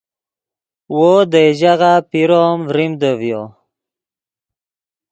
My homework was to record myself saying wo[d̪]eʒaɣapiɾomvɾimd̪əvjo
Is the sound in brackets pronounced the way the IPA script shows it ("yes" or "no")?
yes